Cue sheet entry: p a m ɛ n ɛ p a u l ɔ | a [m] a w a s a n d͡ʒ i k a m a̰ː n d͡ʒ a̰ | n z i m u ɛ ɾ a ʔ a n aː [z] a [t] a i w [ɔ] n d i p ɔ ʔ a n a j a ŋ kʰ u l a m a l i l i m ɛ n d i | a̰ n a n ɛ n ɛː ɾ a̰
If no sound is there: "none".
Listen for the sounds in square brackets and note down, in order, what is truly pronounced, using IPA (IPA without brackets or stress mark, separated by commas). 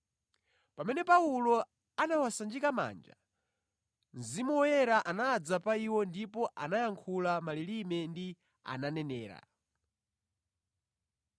n, d͡z, p, ɔ